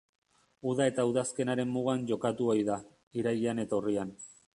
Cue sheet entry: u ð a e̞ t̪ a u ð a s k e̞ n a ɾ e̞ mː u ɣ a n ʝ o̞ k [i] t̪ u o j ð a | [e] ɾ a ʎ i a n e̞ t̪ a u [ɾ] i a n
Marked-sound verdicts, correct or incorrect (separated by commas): incorrect, incorrect, incorrect